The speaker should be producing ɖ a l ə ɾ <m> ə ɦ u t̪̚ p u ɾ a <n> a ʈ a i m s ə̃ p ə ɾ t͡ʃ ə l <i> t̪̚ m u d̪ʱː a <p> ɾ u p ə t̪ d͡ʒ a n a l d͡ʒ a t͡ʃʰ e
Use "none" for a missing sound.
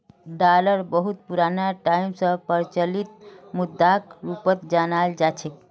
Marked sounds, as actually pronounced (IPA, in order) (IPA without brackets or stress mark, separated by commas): b, n, i, k